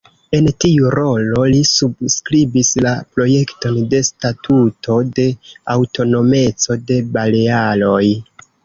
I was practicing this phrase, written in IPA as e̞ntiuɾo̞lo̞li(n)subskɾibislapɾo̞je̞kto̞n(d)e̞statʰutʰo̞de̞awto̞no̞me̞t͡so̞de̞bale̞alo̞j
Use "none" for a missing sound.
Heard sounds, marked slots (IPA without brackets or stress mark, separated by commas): none, d